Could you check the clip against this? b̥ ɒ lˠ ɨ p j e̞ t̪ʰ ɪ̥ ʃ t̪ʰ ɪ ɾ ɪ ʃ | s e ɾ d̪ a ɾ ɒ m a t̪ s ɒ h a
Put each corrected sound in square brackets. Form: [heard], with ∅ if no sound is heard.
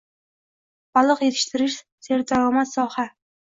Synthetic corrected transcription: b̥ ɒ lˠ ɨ [q] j e̞ t̪ʰ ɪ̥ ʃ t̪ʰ ɪ ɾ ɪ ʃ | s e ɾ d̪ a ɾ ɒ m a t̪ s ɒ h a